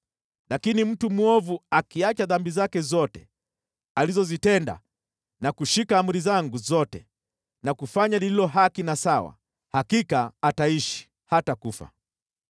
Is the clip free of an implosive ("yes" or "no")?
yes